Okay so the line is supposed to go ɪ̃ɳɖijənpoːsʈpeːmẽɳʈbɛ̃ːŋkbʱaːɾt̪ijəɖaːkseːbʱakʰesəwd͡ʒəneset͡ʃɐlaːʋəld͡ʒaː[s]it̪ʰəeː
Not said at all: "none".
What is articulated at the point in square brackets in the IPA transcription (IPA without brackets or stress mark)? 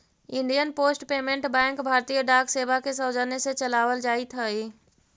none